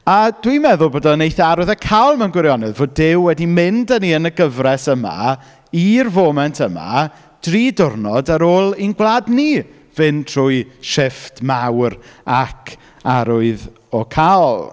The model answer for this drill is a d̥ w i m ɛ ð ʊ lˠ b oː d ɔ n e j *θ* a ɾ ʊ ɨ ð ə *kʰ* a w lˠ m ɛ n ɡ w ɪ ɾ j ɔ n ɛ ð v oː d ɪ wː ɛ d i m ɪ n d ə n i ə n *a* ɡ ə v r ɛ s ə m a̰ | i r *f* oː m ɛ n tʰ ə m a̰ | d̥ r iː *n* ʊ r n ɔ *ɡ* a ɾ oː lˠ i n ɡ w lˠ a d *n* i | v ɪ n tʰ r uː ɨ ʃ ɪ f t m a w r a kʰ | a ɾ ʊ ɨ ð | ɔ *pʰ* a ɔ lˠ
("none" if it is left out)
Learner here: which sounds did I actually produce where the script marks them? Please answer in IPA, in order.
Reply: θ, kʰ, ə, v, d, d, n, kʰ

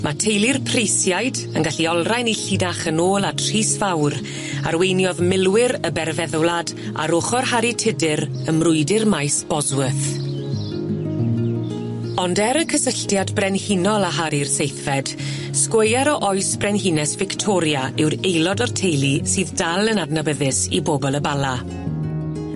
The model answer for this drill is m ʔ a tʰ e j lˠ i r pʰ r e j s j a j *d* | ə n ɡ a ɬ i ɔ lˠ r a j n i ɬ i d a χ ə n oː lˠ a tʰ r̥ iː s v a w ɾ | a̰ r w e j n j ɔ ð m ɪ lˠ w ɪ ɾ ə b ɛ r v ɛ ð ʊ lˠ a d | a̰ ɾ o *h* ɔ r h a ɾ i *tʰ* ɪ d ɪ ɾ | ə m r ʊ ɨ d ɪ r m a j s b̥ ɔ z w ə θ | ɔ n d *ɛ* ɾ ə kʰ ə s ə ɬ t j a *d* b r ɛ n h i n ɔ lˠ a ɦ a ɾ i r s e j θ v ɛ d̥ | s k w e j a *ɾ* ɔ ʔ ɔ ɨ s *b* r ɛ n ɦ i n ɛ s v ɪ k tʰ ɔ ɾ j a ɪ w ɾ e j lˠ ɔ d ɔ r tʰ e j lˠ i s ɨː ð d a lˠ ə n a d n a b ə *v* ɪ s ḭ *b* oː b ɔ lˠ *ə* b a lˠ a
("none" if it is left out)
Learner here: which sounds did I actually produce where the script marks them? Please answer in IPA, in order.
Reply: d, χ, tʰ, ɛ, d, ɾ, b, ð, b, ə

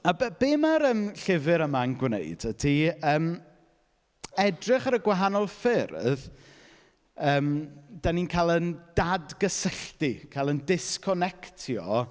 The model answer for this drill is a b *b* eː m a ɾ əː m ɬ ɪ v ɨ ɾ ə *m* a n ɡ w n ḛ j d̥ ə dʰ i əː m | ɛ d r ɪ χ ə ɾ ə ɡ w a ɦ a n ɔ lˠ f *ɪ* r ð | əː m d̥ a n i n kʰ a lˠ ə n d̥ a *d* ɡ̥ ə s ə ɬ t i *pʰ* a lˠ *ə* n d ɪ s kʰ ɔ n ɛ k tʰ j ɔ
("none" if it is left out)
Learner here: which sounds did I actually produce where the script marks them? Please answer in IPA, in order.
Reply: b, m, ɪ, d, kʰ, ə

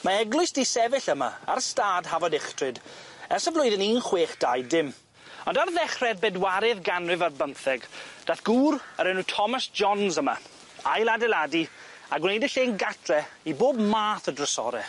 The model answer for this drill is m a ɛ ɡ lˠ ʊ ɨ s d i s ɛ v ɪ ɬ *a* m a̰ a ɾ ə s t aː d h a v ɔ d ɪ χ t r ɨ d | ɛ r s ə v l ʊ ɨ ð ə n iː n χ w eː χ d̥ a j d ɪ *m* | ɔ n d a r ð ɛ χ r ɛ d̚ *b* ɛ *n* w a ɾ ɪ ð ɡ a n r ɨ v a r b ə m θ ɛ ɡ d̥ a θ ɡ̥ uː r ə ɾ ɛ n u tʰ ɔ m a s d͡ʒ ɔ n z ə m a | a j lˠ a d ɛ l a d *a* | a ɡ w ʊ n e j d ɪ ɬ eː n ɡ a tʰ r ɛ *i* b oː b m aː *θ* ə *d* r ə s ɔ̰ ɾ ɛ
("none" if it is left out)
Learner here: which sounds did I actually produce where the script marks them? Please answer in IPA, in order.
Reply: ə, m, b, d, i, i, θ, d

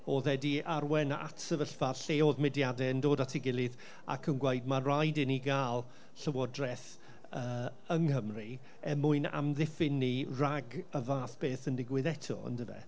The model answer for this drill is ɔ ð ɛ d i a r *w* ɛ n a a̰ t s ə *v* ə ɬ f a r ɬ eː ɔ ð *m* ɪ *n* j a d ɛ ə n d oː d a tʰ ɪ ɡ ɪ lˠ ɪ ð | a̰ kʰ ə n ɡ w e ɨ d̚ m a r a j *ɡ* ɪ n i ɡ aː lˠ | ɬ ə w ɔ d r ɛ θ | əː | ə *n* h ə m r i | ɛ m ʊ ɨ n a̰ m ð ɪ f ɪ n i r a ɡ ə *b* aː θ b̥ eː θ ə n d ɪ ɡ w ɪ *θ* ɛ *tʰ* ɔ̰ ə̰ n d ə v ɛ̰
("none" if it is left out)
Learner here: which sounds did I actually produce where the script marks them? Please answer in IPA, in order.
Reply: w, v, m, d, d, ŋ, v, ð, tʰ

